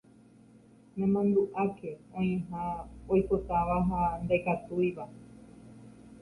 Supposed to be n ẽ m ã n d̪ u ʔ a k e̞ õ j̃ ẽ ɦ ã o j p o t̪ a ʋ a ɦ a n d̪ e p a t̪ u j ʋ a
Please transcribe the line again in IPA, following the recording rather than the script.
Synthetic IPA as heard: n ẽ m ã n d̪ u ʔ a k e̞ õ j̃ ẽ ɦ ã o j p o t̪ a ʋ a ɦ a n d̪ e k a t̪ u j ʋ a